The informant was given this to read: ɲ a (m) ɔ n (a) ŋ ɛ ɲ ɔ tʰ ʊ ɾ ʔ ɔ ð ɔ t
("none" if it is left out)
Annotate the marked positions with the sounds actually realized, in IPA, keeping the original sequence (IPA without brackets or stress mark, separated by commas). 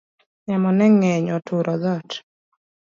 m, ɛ